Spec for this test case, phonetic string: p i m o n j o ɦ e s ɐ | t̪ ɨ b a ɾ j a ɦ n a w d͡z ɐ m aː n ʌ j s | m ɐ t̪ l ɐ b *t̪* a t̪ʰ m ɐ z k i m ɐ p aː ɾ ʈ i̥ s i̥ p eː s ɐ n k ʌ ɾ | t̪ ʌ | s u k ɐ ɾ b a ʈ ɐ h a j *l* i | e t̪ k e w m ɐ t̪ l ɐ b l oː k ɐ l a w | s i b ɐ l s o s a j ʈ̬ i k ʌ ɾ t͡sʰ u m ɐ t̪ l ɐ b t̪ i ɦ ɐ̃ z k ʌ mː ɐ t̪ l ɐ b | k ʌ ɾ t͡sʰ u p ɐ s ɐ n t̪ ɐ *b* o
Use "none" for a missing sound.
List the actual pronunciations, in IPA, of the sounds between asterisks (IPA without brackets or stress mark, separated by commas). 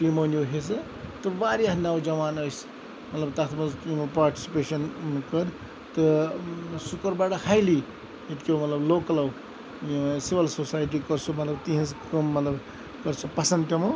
t̪, l, m